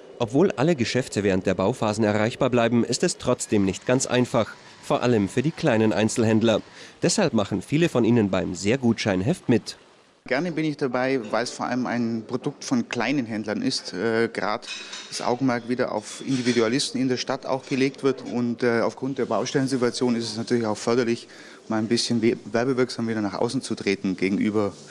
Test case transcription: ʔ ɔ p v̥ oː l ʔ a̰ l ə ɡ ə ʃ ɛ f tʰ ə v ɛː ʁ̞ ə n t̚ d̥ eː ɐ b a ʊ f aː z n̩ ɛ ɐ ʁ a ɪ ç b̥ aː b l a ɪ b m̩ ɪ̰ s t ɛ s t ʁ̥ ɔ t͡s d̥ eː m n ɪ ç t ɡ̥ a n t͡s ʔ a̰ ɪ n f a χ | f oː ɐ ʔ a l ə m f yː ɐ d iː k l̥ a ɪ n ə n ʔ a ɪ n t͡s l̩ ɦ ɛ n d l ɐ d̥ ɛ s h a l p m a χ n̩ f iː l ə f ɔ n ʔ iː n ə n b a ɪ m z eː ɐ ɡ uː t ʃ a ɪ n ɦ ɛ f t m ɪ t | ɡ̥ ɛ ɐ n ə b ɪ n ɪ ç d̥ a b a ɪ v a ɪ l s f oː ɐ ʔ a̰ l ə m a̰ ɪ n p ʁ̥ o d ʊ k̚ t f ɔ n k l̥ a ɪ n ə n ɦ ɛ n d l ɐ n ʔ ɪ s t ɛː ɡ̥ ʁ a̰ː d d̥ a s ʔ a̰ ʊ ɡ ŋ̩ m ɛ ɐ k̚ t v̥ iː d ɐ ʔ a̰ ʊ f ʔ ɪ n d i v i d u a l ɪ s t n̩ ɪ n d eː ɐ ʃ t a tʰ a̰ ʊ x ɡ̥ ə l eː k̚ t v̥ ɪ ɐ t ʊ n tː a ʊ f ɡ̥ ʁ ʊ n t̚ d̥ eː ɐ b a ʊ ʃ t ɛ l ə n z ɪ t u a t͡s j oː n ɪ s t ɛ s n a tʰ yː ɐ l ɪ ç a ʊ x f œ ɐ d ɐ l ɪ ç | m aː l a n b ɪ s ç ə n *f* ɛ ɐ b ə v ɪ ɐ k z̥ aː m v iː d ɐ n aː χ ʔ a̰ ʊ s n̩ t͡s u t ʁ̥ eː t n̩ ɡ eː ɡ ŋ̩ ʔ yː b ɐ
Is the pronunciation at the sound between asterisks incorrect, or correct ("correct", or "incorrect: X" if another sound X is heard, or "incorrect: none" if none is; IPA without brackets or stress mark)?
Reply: incorrect: v